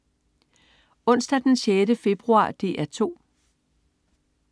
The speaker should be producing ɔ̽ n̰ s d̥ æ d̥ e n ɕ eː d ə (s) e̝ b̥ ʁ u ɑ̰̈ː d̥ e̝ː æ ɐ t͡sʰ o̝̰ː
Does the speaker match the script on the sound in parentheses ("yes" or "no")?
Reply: no